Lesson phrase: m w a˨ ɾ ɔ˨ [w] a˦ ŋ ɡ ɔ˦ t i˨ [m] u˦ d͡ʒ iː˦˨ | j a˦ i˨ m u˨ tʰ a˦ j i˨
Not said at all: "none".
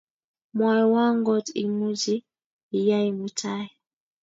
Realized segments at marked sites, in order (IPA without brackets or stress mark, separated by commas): w, m